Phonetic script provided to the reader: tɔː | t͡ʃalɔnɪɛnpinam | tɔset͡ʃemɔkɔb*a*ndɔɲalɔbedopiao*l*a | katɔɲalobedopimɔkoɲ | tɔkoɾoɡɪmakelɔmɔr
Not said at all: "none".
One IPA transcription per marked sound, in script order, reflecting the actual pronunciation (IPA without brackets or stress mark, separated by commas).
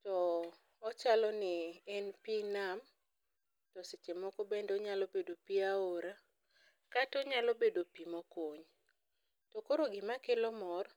e, ɾ